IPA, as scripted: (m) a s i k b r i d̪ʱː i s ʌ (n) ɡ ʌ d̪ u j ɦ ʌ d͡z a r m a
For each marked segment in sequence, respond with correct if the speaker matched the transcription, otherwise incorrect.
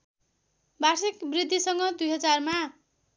incorrect, incorrect

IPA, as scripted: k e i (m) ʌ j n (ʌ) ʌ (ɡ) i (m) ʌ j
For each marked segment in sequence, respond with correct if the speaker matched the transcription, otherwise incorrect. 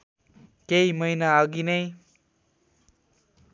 correct, incorrect, correct, incorrect

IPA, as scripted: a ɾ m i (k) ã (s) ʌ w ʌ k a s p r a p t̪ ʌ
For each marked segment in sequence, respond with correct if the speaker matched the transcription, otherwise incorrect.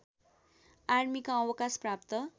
correct, incorrect

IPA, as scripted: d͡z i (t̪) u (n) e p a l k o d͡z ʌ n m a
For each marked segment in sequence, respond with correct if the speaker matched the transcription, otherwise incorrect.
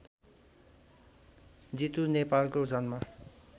correct, correct

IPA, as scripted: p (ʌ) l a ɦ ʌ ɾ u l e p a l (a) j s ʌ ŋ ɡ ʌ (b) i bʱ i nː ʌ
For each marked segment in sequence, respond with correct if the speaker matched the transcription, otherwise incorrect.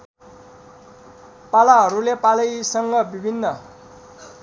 incorrect, incorrect, correct

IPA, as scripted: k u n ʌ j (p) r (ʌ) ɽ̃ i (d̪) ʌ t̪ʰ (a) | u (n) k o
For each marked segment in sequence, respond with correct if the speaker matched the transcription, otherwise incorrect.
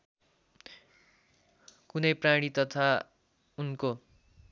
correct, incorrect, incorrect, correct, correct

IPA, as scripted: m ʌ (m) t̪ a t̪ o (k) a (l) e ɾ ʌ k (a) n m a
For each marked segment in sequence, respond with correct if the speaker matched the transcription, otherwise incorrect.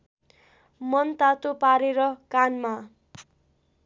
incorrect, incorrect, incorrect, correct

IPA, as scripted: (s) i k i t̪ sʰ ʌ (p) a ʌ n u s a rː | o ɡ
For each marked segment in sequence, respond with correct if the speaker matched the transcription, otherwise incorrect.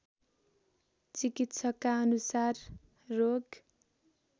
incorrect, incorrect

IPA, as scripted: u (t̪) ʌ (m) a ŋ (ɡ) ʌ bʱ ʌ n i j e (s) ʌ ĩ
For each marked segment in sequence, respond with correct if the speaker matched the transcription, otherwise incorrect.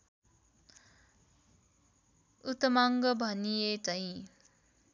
correct, correct, correct, incorrect

